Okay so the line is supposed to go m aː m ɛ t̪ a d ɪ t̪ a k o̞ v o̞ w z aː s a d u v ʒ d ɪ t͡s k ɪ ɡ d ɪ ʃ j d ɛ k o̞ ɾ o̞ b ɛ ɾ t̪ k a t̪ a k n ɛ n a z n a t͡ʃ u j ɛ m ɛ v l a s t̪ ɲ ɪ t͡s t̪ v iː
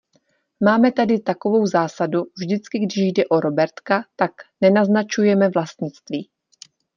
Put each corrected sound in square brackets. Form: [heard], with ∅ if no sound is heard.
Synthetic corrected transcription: m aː m ɛ t̪ a d ɪ t̪ a k o̞ v o̞ w z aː s a d u v ʒ d ɪ t͡s k ɪ ɡ d ɪ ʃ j d ɛ [ʔ] o̞ ɾ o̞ b ɛ ɾ t̪ k a t̪ a k n ɛ n a z n a t͡ʃ u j ɛ m ɛ v l a s t̪ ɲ ɪ t͡s t̪ v iː